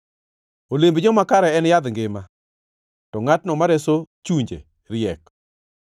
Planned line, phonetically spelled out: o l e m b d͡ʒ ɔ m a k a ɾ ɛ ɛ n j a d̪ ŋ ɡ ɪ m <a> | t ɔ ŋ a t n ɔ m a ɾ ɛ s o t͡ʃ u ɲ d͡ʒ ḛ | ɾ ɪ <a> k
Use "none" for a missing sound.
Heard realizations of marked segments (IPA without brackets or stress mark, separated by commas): a, ɛ